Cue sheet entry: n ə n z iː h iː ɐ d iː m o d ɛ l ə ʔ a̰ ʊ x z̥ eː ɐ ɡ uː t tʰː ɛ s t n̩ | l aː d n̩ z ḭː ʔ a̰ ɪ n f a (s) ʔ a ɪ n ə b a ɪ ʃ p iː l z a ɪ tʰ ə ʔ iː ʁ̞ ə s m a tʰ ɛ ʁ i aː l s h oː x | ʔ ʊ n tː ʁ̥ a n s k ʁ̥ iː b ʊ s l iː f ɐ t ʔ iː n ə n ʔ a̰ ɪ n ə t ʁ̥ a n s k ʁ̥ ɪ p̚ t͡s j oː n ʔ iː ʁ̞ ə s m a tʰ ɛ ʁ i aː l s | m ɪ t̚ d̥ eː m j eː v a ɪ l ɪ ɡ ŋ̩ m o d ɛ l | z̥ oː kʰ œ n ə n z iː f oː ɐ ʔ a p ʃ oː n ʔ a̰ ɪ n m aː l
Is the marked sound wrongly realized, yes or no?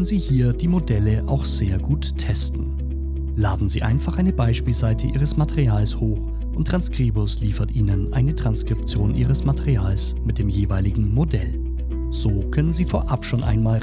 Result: yes